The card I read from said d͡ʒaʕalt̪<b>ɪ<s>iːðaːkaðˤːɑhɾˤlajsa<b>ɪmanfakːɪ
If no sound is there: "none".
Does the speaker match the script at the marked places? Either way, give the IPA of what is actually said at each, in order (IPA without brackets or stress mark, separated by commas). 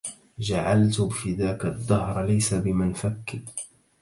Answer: b, f, b